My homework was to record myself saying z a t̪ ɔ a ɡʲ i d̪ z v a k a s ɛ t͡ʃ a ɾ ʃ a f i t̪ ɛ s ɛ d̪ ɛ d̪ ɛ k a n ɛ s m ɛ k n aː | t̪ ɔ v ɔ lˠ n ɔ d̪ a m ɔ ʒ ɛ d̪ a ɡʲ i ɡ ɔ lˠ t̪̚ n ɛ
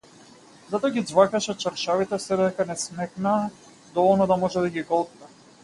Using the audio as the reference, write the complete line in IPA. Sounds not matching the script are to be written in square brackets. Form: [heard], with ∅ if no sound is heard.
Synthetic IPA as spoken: z a t̪ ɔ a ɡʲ i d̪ z v a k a [ʃ] ɛ t͡ʃ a ɾ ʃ a [v] i t̪ ɛ s ɛ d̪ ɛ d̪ ɛ k a n ɛ s m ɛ k n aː | [d̪] ɔ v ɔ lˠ n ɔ d̪ a m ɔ ʒ ɛ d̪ a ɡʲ i ɡ ɔ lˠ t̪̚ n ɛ